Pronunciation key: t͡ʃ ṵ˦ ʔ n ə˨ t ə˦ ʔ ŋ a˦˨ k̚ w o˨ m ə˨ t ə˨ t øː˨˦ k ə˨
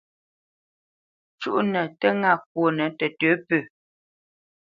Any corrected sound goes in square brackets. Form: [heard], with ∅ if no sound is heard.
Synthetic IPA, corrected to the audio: t͡ʃ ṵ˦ ʔ n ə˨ t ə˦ [∅] ŋ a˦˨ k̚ w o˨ [n] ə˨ t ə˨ t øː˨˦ [p] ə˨